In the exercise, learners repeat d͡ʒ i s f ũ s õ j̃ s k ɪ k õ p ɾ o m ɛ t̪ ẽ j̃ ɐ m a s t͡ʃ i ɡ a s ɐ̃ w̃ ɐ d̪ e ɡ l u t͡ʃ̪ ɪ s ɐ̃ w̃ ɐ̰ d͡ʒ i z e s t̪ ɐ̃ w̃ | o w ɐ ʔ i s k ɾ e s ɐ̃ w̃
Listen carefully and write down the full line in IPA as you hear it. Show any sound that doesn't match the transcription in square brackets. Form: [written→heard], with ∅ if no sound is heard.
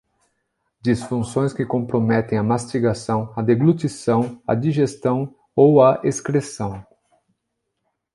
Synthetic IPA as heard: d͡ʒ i s f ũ s õ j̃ s k ɪ k õ p ɾ o m ɛ t̪ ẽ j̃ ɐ m a s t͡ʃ i ɡ a s ɐ̃ w̃ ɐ d̪ e ɡ l u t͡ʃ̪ [ɪ→i] s ɐ̃ w̃ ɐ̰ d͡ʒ i [z→ʒ] e s t̪ ɐ̃ w̃ | o w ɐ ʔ [i→e] s k ɾ e s ɐ̃ w̃